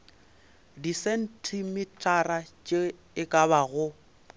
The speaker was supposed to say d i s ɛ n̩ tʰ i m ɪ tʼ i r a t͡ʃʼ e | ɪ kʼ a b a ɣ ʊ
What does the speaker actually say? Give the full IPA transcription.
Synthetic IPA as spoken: d i s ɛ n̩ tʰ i m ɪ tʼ a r a t͡ʃʼ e | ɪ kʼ a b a ɣ ʊ